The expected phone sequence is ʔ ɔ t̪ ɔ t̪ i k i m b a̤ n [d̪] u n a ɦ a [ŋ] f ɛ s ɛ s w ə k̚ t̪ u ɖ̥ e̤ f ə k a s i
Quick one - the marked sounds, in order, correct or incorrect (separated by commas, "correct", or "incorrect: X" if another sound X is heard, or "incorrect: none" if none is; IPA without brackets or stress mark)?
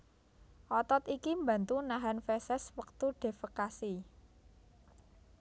incorrect: t̪, incorrect: n